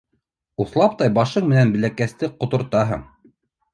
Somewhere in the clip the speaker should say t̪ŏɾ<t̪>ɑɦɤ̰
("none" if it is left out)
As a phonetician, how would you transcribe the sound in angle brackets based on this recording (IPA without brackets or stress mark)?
t̪